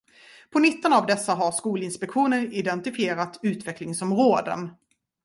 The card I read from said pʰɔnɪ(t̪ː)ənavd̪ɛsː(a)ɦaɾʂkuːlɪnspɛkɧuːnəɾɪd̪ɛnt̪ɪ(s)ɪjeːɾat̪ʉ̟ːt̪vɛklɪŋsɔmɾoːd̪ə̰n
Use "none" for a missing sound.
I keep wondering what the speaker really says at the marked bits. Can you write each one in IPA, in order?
t̪ː, a, f

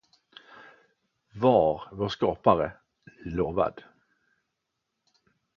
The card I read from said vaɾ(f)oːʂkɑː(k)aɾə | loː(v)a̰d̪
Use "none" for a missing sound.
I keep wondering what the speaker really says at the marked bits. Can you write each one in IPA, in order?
v, p, v

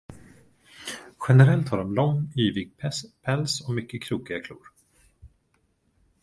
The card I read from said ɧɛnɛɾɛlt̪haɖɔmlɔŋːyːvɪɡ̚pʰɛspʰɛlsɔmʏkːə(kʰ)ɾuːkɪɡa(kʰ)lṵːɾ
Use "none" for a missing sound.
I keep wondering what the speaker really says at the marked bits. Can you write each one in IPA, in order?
kʰ, kʰ

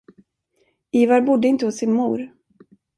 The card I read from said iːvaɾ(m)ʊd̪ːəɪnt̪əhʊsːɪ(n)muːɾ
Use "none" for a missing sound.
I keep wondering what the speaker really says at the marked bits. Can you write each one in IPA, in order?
b, n

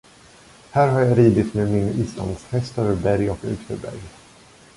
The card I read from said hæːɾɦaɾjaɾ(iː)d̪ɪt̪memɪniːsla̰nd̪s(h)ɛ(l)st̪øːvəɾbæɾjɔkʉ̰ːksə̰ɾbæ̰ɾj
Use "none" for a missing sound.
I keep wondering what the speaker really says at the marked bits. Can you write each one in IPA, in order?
iː, h, none

